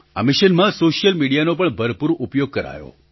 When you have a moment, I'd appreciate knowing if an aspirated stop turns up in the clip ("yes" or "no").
no